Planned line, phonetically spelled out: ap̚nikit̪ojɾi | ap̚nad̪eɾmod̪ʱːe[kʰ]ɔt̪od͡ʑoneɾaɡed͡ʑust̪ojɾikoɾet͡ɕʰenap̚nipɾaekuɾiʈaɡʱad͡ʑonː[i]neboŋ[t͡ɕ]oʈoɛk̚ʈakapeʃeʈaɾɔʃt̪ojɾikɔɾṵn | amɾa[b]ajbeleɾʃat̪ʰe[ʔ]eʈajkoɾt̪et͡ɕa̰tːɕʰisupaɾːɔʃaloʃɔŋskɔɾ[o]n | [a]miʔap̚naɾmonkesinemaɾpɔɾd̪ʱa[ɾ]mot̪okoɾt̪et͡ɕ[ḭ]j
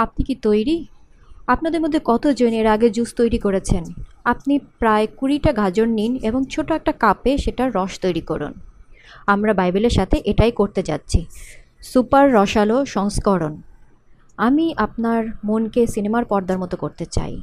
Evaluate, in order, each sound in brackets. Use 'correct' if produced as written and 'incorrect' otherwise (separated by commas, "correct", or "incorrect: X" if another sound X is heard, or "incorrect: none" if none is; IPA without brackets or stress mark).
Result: incorrect: k, correct, incorrect: t͡ɕʰ, correct, correct, correct, correct, correct, incorrect: a̰